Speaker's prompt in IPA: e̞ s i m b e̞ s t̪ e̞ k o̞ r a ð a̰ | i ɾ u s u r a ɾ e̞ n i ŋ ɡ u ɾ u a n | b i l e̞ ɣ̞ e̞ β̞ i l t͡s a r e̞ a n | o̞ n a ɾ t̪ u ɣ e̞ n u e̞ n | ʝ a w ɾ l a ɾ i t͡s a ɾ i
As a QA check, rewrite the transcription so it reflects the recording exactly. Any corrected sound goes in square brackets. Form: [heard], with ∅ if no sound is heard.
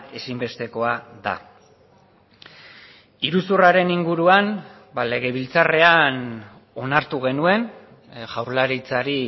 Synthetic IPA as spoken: e̞ s i m b e̞ s t̪ e̞ k o̞ [∅] a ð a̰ | i ɾ u s u r a ɾ e̞ n i ŋ ɡ u ɾ u a n | b [a] l e̞ ɣ̞ e̞ β̞ i l t͡s a r e̞ a n | o̞ n a ɾ t̪ u ɣ e̞ n u e̞ n | ʝ a w ɾ l a ɾ i t͡s a ɾ i

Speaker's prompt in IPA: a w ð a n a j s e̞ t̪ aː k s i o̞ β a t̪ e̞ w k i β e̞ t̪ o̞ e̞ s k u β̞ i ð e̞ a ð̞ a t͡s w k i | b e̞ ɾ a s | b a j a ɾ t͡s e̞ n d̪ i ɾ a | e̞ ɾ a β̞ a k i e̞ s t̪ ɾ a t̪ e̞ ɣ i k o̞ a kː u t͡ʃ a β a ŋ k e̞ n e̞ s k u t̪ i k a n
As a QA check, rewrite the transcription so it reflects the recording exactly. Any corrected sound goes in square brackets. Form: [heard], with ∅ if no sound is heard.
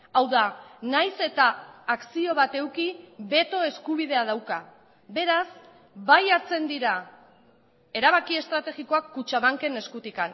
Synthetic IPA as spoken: a w ð a n a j s e̞ t̪ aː k s i o̞ β a t̪ e̞ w k i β e̞ t̪ o̞ e̞ s k u β̞ i ð e̞ a ð̞ a [∅] w k [a] | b e̞ ɾ a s | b a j a ɾ t͡s e̞ n d̪ i ɾ a | e̞ ɾ a β̞ a k i e̞ s t̪ ɾ a t̪ e̞ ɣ i k o̞ a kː u t͡ʃ a β a ŋ k e̞ n e̞ s k u t̪ i k a n

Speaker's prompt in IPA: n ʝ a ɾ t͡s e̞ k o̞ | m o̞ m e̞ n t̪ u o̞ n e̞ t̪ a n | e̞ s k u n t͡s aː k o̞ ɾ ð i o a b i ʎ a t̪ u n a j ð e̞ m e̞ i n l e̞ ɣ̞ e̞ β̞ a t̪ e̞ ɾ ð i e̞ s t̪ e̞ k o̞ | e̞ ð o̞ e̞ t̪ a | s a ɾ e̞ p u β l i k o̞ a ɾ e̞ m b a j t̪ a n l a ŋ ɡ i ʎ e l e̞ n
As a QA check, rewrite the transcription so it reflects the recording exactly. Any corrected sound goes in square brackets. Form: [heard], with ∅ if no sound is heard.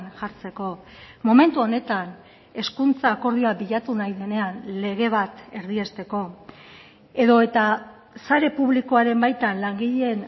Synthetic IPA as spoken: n ʝ a ɾ t͡s e̞ k o̞ | m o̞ m e̞ n t̪ u o̞ n e̞ t̪ a n | e̞ s k u n t͡s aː k o̞ ɾ ð i o a b i ʎ a t̪ u n a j ð e̞ [n] e̞ [a] n l e̞ ɣ̞ e̞ β̞ a t̪ e̞ ɾ ð i e̞ s t̪ e̞ k o̞ | e̞ ð o̞ e̞ t̪ a | s a ɾ e̞ p u β l i k o̞ a ɾ e̞ m b a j t̪ a n l a ŋ ɡ i ʎ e [∅] e̞ n

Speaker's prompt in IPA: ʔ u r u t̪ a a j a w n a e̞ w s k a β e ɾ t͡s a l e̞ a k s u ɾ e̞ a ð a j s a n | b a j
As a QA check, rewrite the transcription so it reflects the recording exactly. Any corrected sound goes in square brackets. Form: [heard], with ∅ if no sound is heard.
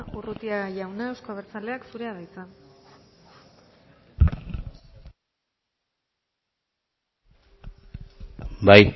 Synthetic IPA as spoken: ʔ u r u t̪ [i] a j a w n a e̞ w s k a β e ɾ t͡s a l e̞ a k s u ɾ e̞ a ð a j [t͡s] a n | b a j

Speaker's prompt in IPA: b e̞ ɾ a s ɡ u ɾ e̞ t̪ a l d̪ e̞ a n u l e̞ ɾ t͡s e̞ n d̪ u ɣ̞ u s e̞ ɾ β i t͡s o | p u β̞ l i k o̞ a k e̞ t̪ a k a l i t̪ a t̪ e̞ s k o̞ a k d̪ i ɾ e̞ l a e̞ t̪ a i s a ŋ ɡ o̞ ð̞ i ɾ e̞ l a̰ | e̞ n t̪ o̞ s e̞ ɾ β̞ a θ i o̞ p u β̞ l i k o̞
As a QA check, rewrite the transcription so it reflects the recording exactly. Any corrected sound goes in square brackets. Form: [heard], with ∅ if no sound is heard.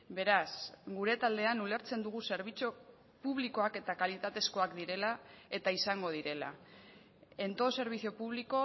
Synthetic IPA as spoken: b e̞ ɾ a s ɡ u ɾ e̞ t̪ a l d̪ e̞ a n u l e̞ ɾ t͡s e̞ n d̪ u ɣ̞ u s e̞ ɾ β i t͡s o | p u β̞ l i k o̞ a k e̞ t̪ a k a l i t̪ a t̪ e̞ s k o̞ a k d̪ i ɾ e̞ l a e̞ t̪ a i s a ŋ ɡ o̞ ð̞ i ɾ e̞ l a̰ | e̞ n t̪ o̞ s e̞ ɾ β̞ [i] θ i o̞ p u β̞ l i k o̞

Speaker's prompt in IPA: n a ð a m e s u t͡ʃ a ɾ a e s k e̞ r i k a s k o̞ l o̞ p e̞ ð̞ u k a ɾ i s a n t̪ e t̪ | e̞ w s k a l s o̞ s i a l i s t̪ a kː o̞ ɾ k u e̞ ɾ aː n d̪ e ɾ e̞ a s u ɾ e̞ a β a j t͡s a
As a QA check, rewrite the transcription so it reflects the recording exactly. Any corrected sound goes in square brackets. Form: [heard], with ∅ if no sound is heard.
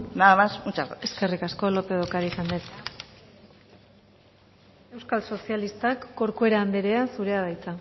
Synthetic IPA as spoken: n a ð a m [a] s u t͡ʃ a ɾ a e s k e̞ r i k a s k o̞ l o̞ p e̞ ð̞ [o] k a ɾ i s a n [d̪] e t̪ | e̞ w s k a l s o̞ s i a l i s t̪ a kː o̞ ɾ k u e̞ ɾ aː n d̪ e ɾ e̞ a s u ɾ e̞ a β a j t͡s a

